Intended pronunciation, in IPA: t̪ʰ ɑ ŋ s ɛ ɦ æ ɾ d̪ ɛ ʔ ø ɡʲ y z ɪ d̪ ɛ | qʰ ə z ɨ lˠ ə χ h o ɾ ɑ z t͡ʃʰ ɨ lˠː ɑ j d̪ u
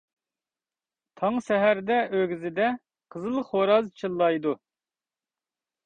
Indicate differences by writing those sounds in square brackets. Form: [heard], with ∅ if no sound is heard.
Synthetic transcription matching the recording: t̪ʰ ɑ ŋ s ɛ ɦ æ ɾ d̪ ɛ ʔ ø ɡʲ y z ɪ d̪ ɛ | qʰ ə z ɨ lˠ ə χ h o ɾ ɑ z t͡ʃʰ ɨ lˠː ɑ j d̪ u